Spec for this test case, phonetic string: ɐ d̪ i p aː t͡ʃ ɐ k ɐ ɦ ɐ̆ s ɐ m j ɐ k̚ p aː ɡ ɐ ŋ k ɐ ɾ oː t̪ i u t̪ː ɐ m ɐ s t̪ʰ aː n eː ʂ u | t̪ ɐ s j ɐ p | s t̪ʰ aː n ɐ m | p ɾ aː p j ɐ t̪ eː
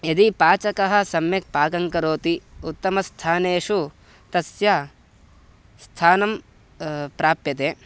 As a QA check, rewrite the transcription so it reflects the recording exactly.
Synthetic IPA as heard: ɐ d̪ i p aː t͡ʃ ɐ k ɐ ɦ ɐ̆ s ɐ m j ɐ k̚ p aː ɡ ɐ ŋ k ɐ ɾ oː t̪ i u t̪ː ɐ m ɐ s t̪ʰ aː n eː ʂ u | t̪ ɐ s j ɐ | s t̪ʰ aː n ɐ m | p ɾ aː p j ɐ t̪ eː